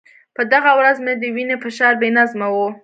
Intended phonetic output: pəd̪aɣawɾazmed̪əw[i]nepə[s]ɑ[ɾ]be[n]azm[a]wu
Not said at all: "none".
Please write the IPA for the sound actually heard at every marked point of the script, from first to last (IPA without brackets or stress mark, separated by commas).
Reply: i, ʃ, ɾ, n, a